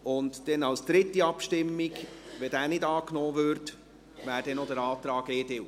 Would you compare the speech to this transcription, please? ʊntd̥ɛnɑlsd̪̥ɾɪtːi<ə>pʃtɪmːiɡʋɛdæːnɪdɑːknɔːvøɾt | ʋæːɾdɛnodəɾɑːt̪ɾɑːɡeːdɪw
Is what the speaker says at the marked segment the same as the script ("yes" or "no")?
no